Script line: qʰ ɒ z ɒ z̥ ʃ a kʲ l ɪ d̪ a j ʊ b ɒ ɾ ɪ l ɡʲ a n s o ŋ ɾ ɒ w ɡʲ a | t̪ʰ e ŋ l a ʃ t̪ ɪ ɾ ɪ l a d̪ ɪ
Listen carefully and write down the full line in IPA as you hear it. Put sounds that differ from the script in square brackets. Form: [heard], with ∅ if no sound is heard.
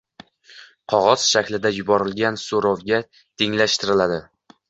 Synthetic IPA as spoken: qʰ ɒ [ʁ] ɒ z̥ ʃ a kʲ l ɪ d̪ a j ʊ b ɒ ɾ ɪ l ɡʲ a n s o [∅] ɾ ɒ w ɡʲ a | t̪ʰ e ŋ l a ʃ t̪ ɪ ɾ ɪ l a d̪ ɪ